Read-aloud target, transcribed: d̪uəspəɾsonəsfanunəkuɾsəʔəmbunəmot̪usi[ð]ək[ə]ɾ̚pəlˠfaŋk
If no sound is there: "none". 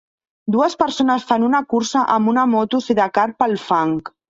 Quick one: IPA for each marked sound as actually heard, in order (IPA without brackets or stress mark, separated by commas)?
ð, a